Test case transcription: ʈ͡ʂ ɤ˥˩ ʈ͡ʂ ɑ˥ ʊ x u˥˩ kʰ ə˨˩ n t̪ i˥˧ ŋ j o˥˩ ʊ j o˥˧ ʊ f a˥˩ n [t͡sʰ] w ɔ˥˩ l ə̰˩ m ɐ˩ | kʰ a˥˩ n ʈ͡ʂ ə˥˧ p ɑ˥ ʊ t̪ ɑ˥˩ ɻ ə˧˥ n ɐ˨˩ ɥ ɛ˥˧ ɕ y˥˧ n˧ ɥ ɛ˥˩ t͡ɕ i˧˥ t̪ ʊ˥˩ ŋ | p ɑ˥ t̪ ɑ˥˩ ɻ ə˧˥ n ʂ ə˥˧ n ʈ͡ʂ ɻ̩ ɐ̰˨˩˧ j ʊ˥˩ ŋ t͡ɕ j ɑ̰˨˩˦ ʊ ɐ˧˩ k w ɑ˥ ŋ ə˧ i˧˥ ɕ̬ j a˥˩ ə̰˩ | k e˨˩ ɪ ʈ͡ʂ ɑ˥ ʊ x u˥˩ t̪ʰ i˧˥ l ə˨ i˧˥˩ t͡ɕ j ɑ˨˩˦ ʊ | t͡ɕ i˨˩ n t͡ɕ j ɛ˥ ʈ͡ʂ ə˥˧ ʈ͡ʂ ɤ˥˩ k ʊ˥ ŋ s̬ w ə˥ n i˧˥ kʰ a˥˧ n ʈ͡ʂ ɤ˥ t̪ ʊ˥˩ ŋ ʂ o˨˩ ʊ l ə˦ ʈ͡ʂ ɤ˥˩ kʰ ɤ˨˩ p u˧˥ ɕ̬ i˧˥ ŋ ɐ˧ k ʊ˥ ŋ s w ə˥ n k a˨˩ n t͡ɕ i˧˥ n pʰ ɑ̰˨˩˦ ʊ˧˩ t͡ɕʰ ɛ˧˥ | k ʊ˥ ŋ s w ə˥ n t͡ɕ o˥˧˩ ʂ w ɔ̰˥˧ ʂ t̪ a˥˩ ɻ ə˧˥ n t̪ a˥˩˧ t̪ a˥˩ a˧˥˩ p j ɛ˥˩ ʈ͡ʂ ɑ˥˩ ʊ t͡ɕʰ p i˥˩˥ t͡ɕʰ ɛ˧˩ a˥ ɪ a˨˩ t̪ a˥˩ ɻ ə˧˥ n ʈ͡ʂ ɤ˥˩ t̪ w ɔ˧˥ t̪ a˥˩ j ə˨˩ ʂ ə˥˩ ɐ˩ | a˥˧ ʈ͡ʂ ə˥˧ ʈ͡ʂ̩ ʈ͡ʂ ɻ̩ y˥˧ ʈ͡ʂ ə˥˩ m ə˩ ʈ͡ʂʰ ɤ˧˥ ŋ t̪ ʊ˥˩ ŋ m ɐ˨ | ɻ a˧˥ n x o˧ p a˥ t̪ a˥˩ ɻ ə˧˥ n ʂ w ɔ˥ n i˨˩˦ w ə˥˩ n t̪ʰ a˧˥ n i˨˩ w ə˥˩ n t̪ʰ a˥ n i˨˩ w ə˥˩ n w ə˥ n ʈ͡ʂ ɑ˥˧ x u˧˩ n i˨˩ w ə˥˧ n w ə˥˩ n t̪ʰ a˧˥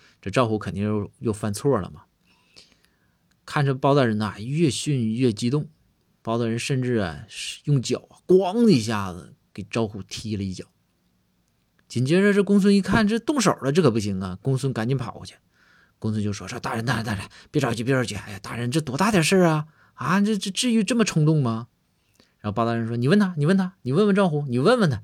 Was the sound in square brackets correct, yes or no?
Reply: yes